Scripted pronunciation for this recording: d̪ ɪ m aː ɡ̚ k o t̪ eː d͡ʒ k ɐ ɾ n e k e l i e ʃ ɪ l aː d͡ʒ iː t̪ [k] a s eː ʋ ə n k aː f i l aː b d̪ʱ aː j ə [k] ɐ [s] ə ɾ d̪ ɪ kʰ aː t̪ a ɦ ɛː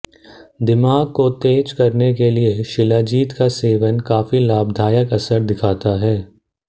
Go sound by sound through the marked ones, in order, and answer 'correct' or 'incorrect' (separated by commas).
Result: correct, correct, correct